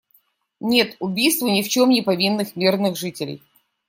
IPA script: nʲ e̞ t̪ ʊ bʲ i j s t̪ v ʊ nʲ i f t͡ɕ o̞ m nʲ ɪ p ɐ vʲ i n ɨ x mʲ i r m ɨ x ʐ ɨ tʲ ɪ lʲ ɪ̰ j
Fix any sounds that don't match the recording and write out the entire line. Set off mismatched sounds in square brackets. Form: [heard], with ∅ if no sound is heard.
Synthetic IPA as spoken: nʲ e̞ t̪ ʊ bʲ i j s t̪ v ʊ nʲ [ɪ] f t͡ɕ o̞ m nʲ ɪ p ɐ vʲ i [nː] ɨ x mʲ i r [n] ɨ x ʐ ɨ tʲ ɪ lʲ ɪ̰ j